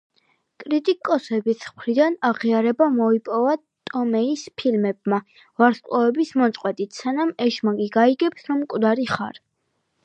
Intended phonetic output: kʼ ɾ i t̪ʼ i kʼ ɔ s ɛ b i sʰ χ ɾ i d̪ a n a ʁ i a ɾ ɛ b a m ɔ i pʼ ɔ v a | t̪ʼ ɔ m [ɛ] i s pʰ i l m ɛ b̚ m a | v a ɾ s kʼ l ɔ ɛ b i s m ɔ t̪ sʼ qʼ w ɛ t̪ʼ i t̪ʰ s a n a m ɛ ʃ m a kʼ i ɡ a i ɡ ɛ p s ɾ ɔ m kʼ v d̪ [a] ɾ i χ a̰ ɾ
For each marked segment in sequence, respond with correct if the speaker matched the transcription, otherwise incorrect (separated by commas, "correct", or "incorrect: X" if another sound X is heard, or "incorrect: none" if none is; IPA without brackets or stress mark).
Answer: correct, correct